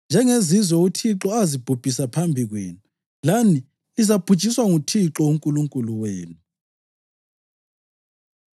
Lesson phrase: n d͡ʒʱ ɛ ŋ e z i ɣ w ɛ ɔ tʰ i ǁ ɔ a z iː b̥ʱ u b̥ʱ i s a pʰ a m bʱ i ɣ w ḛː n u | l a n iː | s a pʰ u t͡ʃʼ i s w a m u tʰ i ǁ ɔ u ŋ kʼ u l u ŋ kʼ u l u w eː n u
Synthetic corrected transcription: n d͡ʒʱ ɛ ŋ e z i z w ɛ u tʰ i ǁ ɔ a z i b̥ʱ u b̥ʱ i s a pʰ a m bʱ i ɣ w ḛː n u | l a n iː | z a pʰ u t͡ʃʼ i s w a ŋ u tʰ i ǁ ɔ u ŋ kʼ u l u ŋ kʼ u l u w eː n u